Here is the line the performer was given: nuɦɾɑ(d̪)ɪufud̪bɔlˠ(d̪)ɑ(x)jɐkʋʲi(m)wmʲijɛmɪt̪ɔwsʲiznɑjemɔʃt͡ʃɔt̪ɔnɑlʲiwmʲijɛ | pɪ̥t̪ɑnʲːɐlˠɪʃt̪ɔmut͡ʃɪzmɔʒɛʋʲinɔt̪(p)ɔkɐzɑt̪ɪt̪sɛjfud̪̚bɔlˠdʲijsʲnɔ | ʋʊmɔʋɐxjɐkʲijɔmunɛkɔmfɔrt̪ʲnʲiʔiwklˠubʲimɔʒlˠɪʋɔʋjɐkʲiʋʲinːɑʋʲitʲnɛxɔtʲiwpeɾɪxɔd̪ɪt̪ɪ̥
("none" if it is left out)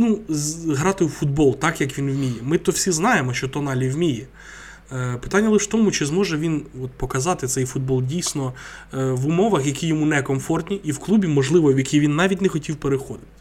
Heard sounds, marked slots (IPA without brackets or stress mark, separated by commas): t̪, t̪, k, n, p